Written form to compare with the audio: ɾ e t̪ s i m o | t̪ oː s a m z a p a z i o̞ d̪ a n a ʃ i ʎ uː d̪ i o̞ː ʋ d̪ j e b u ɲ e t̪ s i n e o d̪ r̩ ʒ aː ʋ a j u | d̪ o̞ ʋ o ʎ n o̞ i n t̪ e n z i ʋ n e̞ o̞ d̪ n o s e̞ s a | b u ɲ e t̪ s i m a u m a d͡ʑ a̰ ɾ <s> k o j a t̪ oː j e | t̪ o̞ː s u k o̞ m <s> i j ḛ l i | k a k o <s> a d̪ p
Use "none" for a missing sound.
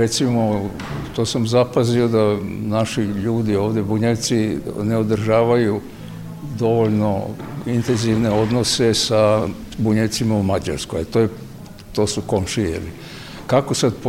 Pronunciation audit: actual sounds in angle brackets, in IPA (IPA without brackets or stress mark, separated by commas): s, ʃ, s